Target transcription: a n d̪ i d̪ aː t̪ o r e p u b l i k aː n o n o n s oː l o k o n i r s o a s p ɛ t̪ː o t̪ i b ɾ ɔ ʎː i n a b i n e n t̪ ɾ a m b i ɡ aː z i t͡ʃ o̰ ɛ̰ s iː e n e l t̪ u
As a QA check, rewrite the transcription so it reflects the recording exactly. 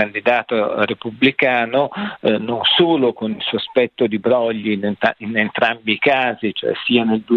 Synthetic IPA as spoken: a n d̪ i d̪ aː t̪ o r e p u b l i k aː n o n o n s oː l o k o n i l s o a s p ɛ t̪ː o d̪ i b ɾ ɔ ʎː i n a i n e n t̪ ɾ a m b i k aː z i t͡ʃ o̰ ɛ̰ s iː a n e l d̪ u